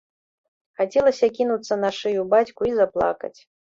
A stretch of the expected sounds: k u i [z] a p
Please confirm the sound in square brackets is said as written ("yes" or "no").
yes